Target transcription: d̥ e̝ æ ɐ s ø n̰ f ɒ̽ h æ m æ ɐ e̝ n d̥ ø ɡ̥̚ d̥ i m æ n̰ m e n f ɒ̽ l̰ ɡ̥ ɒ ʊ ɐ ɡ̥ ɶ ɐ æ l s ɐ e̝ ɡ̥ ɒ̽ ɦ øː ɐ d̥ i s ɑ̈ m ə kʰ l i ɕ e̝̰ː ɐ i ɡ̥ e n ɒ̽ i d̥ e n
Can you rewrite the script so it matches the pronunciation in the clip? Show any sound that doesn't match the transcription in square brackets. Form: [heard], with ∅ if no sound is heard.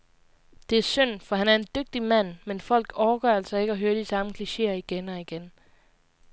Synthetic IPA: d̥ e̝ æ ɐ s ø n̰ f ɒ̽ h æ [n] æ ɐ e̝ n d̥ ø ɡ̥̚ d̥ i m æ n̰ m e n f ɒ̽ l̰ ɡ̥ ɒ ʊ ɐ ɡ̥ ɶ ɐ æ l s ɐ e̝ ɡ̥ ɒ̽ ɦ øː ɐ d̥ i s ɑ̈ m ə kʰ l i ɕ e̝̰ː ɐ i ɡ̥ e n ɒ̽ i [ɡ̥] e n